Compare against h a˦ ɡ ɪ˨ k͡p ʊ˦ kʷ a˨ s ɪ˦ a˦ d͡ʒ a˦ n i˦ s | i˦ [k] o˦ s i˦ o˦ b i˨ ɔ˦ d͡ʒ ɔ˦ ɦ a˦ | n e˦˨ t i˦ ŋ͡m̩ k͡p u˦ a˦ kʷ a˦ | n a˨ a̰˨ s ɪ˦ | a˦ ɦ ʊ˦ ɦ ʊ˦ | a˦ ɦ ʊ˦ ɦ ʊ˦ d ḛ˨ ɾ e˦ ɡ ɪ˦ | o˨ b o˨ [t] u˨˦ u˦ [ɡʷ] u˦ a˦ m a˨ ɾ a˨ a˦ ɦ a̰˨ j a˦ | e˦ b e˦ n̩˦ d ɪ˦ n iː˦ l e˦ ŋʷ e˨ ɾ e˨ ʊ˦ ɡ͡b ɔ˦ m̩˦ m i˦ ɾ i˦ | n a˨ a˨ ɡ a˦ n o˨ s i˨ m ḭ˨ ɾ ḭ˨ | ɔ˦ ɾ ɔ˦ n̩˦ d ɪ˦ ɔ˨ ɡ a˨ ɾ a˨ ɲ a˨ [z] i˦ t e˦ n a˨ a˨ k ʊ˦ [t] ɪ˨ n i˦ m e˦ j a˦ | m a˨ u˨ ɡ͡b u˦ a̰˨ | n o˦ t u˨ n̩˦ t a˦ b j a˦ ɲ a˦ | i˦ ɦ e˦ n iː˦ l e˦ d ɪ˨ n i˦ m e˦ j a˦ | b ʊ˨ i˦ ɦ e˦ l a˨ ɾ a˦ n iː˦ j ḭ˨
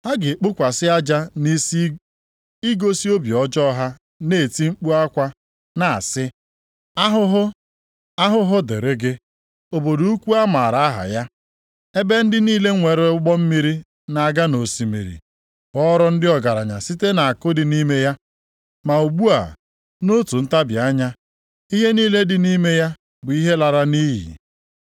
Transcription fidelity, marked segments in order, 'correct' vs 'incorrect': incorrect, incorrect, incorrect, incorrect, incorrect

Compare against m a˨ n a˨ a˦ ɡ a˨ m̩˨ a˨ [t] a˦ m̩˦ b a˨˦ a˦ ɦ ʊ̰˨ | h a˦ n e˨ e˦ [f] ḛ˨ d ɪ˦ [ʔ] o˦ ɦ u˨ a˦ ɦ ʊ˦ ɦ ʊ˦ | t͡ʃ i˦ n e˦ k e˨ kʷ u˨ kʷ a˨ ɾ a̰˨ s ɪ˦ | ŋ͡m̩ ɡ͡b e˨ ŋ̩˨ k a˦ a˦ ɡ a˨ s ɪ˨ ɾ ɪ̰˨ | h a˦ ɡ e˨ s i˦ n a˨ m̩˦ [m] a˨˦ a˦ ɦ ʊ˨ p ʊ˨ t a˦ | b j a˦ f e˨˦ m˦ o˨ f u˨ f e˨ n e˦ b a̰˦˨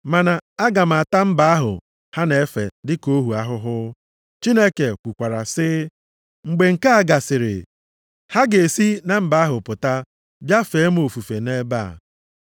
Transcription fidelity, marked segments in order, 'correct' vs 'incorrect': correct, correct, incorrect, incorrect

